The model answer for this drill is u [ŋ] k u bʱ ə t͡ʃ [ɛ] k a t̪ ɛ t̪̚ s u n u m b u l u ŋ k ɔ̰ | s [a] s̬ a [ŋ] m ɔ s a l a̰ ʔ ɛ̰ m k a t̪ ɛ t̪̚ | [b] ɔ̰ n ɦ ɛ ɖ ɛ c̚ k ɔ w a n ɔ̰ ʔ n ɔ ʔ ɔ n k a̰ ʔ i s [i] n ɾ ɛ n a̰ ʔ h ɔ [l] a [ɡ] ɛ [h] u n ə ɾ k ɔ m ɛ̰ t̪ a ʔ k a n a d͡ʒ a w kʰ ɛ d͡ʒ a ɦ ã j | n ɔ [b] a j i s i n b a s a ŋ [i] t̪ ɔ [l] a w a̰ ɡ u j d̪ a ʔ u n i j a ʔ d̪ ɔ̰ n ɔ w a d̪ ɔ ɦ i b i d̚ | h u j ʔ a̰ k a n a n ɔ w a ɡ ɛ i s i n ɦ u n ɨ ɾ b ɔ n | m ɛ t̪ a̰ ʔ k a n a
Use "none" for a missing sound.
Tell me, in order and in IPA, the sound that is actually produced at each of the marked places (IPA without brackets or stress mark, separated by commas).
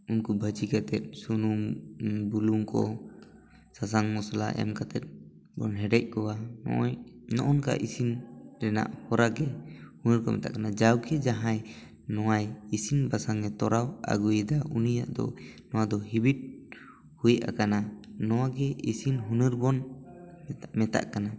n, i, a, ŋ, b, i, ɾ, ɡ, h, w, ɛ, ɾ